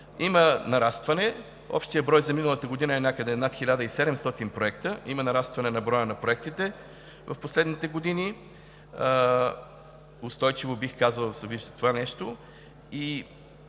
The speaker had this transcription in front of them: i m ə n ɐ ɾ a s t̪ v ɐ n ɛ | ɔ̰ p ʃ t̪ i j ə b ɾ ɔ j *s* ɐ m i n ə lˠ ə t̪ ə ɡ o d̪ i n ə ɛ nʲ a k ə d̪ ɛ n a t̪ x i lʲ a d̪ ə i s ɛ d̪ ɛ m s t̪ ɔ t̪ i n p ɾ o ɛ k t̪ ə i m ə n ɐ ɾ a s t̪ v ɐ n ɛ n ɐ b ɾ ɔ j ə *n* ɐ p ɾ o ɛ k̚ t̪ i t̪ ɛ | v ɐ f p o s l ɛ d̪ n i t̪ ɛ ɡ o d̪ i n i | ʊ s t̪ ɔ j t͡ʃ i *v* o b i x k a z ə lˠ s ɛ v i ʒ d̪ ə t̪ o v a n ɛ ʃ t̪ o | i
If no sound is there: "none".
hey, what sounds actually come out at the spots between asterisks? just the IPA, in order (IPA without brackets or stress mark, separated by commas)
z, n, v